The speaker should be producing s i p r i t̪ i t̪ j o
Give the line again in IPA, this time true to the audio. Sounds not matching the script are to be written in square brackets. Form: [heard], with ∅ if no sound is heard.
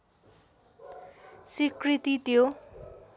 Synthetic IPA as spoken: s i [k] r i t̪ i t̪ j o